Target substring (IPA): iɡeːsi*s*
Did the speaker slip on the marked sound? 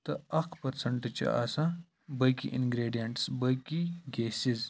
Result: yes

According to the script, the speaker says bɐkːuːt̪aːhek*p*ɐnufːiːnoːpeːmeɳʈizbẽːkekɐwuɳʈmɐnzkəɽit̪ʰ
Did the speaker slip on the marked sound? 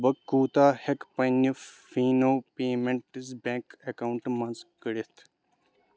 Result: no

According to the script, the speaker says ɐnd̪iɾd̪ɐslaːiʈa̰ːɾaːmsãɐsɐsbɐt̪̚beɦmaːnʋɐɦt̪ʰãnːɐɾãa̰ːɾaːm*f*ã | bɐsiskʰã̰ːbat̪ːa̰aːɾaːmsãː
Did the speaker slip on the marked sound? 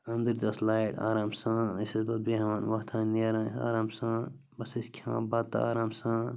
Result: yes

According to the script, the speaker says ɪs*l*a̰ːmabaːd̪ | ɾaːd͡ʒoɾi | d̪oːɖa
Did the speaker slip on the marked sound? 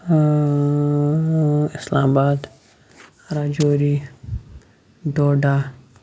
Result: no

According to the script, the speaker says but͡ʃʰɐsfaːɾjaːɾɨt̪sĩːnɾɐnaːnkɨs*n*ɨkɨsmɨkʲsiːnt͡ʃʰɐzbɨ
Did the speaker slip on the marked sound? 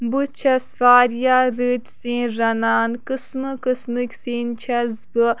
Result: yes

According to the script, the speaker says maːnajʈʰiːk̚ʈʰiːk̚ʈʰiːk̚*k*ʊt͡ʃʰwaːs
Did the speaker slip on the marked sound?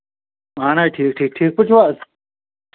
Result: yes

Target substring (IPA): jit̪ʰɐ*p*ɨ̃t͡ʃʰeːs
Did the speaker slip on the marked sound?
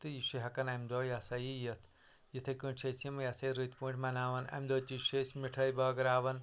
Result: yes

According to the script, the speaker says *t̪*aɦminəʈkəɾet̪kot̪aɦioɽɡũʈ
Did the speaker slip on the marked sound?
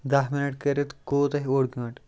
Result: yes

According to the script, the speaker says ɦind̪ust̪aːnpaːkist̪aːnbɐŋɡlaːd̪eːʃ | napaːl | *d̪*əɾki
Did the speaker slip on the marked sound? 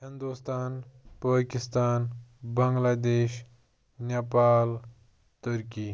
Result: yes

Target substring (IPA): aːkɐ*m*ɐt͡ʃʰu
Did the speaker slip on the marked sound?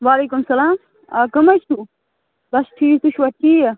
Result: no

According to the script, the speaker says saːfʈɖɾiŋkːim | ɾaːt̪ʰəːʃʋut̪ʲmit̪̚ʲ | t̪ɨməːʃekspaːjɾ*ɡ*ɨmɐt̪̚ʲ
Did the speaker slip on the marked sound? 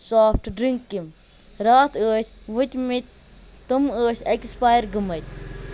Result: no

